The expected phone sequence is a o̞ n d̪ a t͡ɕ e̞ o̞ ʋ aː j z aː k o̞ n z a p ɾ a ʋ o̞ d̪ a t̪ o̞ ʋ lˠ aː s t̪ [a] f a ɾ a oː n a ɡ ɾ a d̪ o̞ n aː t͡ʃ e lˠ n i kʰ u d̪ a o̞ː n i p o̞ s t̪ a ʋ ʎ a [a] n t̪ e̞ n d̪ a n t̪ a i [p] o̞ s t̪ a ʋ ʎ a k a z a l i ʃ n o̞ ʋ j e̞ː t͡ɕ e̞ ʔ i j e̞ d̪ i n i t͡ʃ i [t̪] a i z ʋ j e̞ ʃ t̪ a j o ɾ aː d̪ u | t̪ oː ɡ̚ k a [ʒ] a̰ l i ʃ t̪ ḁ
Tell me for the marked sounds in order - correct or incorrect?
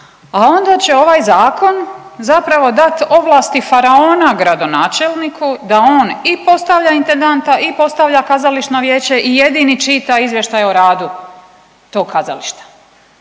incorrect: i, incorrect: i, correct, correct, incorrect: z

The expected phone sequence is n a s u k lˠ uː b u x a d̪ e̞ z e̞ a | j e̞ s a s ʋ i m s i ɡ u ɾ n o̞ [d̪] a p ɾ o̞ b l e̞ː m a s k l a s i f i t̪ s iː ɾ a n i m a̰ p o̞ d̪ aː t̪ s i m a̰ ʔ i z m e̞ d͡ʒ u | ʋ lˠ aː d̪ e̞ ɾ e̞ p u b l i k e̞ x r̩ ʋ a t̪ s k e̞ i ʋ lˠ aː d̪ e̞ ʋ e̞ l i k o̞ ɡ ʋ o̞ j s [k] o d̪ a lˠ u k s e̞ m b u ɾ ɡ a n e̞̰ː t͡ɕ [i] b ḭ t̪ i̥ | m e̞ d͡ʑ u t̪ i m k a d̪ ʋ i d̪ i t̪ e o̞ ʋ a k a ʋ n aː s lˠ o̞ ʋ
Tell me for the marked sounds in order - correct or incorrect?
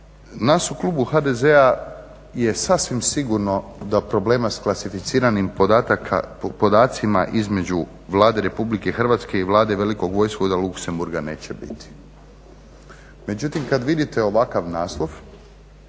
correct, correct, incorrect: e

